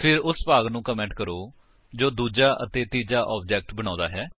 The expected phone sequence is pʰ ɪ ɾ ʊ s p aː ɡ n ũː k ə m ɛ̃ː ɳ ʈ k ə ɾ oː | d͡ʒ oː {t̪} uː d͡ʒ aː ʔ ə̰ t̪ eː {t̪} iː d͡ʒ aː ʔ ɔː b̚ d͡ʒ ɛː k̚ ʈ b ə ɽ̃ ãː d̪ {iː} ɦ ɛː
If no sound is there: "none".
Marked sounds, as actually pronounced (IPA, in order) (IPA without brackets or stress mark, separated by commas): d̪, t̪, aː